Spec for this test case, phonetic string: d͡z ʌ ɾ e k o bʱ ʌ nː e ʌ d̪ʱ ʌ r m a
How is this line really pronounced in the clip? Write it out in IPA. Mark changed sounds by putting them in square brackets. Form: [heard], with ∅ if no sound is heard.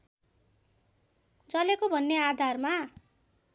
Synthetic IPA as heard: d͡z ʌ [l] e k o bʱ ʌ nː e [a] d̪ʱ [a] r m a